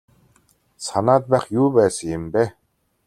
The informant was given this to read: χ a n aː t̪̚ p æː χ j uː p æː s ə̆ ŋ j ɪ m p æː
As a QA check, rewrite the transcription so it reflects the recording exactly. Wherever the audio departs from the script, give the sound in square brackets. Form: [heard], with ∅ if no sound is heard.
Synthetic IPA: [s] a n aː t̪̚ p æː χ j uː p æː s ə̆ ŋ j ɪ m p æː